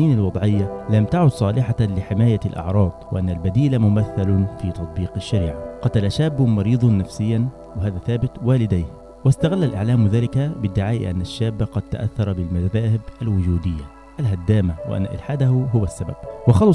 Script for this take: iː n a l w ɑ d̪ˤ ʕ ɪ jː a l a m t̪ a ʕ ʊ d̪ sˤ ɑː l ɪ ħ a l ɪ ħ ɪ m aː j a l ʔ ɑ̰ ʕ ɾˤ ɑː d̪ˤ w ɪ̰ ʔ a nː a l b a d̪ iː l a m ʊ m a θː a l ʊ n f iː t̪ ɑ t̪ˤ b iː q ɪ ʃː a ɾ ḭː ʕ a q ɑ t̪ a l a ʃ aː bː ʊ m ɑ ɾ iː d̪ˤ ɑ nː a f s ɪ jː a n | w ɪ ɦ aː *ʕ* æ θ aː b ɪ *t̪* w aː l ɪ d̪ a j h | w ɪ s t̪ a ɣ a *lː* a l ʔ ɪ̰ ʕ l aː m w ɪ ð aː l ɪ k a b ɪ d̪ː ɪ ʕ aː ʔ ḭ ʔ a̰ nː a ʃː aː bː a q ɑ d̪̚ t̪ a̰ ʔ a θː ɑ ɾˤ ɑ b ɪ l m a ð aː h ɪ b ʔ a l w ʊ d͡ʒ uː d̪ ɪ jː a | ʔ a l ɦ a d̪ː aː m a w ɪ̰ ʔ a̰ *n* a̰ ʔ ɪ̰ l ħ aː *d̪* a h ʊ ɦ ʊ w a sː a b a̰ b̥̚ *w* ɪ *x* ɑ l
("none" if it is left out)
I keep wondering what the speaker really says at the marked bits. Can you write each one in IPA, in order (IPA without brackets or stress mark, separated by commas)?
ð, t̪, lː, nː, d̪, w, x